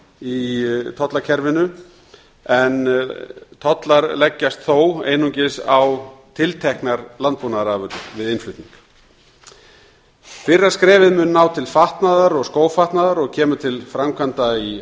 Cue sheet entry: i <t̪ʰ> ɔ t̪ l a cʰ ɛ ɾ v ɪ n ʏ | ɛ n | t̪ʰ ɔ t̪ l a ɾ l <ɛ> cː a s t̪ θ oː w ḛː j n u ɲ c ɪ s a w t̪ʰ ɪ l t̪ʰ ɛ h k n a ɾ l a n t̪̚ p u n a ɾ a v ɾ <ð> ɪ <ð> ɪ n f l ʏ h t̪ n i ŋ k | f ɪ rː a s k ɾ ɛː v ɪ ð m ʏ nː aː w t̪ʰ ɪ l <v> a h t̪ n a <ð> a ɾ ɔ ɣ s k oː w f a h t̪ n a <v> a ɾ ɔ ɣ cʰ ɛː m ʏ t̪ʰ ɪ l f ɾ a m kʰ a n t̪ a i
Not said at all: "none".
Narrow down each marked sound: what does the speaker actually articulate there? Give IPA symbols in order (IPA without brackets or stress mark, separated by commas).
t̪ʰ, ɛ, v, ð, f, ð, ð